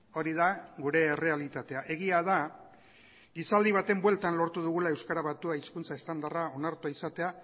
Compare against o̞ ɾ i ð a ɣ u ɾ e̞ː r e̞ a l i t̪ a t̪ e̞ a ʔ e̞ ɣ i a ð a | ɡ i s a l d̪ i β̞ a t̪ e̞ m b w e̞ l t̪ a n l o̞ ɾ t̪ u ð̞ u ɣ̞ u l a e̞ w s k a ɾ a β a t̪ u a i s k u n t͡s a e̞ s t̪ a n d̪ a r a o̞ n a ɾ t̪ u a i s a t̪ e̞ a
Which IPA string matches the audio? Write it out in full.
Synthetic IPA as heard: o̞ ɾ i ð a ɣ u ɾ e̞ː r e̞ a l i t̪ a t̪ e̞ a ʔ e̞ ɣ i a ð a | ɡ i s a l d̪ i β̞ a t̪ e̞ m b w e̞ l t̪ a n l o̞ ɾ t̪ u ð̞ u ɣ̞ u l a e̞ w s k a ɾ a β a t̪ u a i s k u n t͡s a e̞ s t̪ a n d̪ a r a o̞ n a ɾ t̪ u a i s a t̪ e̞ a